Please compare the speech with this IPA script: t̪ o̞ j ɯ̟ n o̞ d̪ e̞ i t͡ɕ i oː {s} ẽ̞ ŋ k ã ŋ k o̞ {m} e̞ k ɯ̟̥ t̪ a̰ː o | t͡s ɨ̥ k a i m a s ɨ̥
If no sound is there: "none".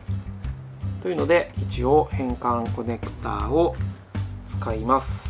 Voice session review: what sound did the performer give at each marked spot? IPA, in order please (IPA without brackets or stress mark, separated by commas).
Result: h, n